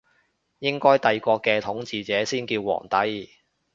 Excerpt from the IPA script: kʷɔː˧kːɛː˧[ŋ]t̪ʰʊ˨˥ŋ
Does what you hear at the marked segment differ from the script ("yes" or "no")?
yes